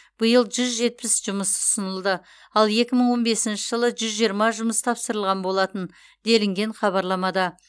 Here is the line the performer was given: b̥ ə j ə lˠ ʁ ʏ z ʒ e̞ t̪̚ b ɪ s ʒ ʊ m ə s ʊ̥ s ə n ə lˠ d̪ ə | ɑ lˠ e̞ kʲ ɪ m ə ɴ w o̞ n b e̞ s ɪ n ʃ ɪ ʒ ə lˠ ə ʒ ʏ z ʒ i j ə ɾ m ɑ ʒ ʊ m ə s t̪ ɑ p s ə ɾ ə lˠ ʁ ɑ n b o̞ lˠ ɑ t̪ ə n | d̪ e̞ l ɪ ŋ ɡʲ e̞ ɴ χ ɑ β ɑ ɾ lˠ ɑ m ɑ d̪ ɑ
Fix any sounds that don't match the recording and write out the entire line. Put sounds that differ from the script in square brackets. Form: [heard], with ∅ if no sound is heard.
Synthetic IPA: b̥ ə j ə lˠ [ʒ] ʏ z ʒ e̞ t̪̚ [p] ɪ s ʒ ʊ m ə s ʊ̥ s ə n ə lˠ d̪ ə | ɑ lˠ e̞ kʲ ɪ m ə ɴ w o̞ n b e̞ s ɪ n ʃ ɪ ʒ ə lˠ ə ʒ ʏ z ʒ i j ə ɾ m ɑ ʒ ʊ m ə s [t̪ʰ] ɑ p s ə ɾ ə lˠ ʁ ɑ n b o̞ lˠ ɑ t̪ ə n | d̪ e̞ l ɪ ŋ ɡʲ e̞ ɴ χ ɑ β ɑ ɾ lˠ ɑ m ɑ d̪ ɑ